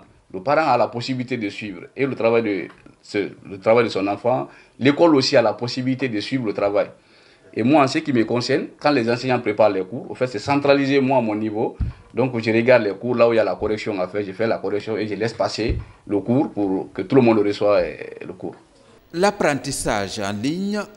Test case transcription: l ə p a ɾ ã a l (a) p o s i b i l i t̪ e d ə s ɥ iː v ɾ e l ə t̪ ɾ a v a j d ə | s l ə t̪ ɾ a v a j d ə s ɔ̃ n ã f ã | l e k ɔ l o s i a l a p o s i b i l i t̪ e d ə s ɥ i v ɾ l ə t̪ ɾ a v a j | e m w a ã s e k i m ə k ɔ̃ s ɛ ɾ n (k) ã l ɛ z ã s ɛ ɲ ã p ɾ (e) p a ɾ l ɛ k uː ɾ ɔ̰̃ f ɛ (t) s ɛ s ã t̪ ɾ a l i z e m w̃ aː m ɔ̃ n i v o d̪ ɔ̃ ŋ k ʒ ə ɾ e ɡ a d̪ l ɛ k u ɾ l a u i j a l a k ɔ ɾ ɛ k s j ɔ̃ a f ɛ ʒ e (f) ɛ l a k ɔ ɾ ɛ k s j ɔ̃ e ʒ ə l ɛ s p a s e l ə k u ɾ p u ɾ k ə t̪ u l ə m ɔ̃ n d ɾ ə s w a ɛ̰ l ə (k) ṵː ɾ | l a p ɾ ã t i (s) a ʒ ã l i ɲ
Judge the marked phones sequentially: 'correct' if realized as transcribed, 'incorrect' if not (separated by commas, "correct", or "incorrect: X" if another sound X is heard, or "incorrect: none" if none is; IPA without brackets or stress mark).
correct, correct, correct, correct, correct, correct, correct